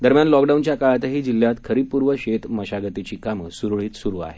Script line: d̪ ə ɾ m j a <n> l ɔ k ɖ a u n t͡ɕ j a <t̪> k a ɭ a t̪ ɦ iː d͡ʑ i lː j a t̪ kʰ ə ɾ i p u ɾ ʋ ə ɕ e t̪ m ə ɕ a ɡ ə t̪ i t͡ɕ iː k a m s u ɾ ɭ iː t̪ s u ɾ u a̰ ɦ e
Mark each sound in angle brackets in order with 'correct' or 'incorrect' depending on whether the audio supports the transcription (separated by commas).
correct, incorrect